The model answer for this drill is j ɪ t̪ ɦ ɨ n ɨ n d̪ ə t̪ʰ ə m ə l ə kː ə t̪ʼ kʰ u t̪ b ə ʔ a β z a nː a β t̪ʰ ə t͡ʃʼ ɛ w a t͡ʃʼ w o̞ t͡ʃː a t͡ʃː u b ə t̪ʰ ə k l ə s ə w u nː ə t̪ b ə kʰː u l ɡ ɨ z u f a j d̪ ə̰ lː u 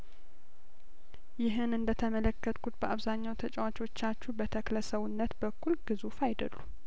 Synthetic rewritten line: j ɪ ɦ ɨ n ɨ n d̪ ə t̪ʰ ə m ə l ə kː ə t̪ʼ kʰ u t̪ b ə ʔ a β z a ɲː a w t̪ʰ ə t͡ʃʼ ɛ w a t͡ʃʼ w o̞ t͡ʃː a t͡ʃː u b ə t̪ʰ ə k l ə s ə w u nː ə t̪ b ə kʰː u l ɡ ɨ z u f a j d̪ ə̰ lː u

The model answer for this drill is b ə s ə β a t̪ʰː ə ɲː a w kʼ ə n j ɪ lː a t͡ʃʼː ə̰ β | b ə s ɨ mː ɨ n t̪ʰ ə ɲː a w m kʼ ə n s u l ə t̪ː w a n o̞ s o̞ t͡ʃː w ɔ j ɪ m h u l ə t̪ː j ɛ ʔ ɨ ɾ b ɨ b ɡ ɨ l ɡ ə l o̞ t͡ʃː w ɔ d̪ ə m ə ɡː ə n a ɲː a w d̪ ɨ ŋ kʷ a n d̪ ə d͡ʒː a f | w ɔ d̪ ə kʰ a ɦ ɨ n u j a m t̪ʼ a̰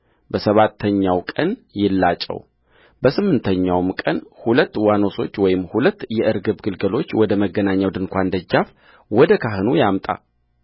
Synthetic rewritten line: b ə s ə β a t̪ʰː ə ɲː a w kʼ ə n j ɪ lː a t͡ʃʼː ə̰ w | b ə s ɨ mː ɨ n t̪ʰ ə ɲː a w m kʼ ə n h u l ə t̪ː w a n o̞ s o̞ t͡ʃː w ɔ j ɪ m h u l ə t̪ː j ɛ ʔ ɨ ɾ ɡ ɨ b ɡ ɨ l ɡ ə l o̞ t͡ʃː w ɔ d̪ ə m ə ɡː ə n a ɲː a w d̪ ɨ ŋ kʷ a n d̪ ə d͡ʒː a f | w ɔ d̪ ə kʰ a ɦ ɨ n u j a m t̪ʼ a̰

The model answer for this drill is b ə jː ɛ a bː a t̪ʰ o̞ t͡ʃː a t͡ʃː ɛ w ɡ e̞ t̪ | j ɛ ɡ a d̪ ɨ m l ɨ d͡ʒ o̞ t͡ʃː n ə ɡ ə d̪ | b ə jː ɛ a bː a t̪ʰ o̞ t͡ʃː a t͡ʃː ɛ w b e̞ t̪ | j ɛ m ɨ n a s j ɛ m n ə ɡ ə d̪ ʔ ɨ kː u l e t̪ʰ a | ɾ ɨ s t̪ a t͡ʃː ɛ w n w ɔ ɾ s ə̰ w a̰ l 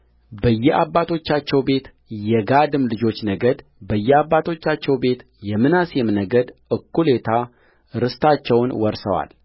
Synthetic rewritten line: b ə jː ɛ a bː a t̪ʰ o̞ t͡ʃː a t͡ʃː ɛ w b e̞ t̪ | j ɛ ɡ a d̪ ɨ m l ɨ d͡ʒ o̞ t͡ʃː n ə ɡ ə d̪ | b ə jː ɛ a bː a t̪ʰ o̞ t͡ʃː a t͡ʃː ɛ w b e̞ t̪ | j ɛ m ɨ n a s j ɛ m n ə ɡ ə d̪ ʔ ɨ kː u l e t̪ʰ a | ɾ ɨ s t̪ a t͡ʃː ɛ w n w ɔ ɾ s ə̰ w a̰ l

